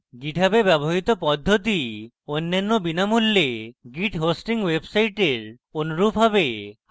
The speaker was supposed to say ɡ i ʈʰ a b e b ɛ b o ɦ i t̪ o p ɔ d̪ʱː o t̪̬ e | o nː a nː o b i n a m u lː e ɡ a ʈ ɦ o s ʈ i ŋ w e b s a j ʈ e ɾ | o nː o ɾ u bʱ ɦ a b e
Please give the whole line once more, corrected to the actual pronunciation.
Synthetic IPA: ɡ i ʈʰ a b e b ɛ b o ɦ i t̪ o p ɔ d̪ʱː o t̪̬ i | o nː a nː o b i n a m u lː e ɡ i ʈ ɦ o s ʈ i ŋ w e b s a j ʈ e ɾ | o n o ɾ u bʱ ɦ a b e